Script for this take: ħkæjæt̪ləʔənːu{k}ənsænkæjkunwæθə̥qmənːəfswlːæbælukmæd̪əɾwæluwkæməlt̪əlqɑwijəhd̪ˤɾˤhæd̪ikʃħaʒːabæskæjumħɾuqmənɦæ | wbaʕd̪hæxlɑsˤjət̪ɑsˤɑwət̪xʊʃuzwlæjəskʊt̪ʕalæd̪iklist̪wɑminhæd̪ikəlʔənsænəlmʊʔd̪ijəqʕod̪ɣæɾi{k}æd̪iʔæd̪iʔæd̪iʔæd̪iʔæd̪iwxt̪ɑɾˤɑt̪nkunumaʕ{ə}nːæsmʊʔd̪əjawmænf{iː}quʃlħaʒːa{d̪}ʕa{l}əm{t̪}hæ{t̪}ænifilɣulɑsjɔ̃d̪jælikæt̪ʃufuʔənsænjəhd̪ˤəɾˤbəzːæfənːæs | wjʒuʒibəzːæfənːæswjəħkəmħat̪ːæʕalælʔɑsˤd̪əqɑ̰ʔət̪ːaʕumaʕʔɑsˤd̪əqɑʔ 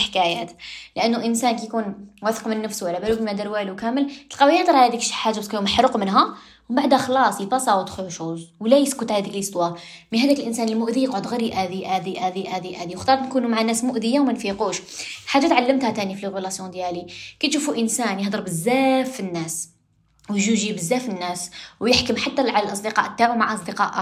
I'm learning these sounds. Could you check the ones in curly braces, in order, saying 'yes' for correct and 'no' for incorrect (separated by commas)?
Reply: no, no, no, no, no, no, yes, yes